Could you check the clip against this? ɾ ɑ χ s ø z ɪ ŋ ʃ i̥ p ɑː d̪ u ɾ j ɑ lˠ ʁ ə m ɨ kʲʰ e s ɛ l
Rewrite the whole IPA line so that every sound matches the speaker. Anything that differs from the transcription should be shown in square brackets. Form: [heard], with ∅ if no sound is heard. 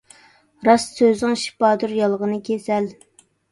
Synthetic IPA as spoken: ɾ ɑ [s] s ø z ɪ ŋ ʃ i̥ p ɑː d̪ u ɾ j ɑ lˠ ʁ ə [n] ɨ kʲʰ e s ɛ l